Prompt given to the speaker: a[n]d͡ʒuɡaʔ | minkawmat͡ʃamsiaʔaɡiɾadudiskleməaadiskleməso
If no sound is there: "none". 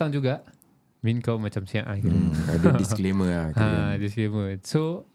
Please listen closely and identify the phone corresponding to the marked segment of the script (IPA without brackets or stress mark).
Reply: ŋ